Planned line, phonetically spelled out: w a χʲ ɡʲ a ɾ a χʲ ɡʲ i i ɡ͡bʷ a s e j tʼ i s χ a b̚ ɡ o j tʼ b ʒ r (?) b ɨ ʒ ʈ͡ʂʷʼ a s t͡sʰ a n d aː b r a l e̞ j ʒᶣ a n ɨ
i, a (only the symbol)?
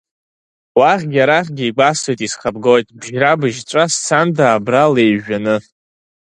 a